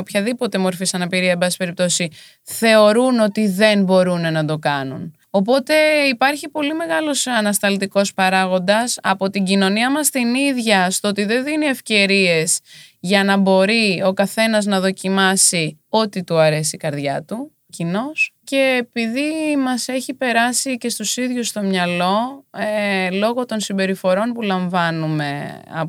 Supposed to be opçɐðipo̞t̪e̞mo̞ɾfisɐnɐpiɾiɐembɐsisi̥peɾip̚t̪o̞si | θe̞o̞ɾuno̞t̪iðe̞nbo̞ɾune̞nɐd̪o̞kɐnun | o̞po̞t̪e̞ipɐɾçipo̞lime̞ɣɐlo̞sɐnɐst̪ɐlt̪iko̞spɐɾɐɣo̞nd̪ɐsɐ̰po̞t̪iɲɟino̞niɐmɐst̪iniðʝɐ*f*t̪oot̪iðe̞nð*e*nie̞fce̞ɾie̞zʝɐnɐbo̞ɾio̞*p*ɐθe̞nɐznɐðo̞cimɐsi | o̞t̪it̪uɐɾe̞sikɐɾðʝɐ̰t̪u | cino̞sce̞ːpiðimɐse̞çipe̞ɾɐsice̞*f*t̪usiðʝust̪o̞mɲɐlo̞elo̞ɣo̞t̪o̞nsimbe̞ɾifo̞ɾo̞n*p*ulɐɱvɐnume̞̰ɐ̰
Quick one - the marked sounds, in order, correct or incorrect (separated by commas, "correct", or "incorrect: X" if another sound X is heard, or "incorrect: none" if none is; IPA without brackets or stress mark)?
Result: incorrect: s, incorrect: i, incorrect: k, incorrect: s, correct